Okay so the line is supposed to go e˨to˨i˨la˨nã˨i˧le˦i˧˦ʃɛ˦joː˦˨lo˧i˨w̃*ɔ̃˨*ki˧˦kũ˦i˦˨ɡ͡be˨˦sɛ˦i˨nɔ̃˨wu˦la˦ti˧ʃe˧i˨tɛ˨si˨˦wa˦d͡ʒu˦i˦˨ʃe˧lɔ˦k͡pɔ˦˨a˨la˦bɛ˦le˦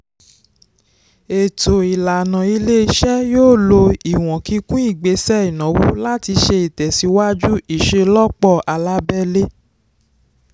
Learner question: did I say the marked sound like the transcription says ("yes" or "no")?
yes